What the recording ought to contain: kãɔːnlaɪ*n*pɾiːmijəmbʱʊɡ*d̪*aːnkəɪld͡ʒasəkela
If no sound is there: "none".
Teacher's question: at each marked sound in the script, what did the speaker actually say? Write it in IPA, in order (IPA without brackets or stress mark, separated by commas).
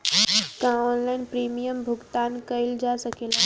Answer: n, t̪